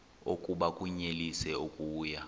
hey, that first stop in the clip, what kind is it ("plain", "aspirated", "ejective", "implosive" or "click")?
ejective